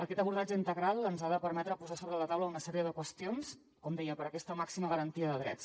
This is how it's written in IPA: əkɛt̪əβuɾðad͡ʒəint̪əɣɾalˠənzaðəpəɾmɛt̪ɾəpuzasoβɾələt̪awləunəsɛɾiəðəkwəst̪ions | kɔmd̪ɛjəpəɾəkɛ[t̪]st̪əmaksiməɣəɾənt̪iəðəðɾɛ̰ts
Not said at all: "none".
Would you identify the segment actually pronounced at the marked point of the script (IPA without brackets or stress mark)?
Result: none